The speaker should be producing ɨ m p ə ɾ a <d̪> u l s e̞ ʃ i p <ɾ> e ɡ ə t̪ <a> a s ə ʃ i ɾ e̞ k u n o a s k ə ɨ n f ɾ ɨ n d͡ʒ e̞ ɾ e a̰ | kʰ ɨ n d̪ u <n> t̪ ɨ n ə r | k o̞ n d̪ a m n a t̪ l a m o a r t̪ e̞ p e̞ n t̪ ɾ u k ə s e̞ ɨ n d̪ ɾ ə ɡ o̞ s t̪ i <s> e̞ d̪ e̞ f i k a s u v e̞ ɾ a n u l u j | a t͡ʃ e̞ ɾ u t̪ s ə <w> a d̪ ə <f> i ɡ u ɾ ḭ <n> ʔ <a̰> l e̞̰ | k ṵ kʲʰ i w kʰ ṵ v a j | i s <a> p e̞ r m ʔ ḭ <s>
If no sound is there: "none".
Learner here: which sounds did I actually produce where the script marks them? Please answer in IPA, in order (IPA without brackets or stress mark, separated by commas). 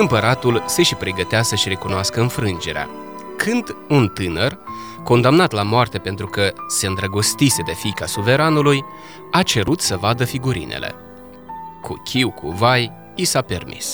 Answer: t̪, ɾ, e, n, s, v, f, n, ḛ, a, s